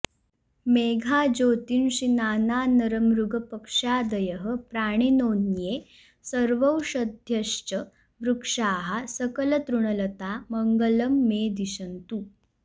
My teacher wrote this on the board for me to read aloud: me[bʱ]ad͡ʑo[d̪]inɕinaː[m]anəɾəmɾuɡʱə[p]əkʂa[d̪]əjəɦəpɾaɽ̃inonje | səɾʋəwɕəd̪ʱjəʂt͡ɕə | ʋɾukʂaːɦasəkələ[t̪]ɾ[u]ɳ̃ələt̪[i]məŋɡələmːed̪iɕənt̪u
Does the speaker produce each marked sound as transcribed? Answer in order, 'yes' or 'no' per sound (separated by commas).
no, no, no, yes, yes, yes, yes, no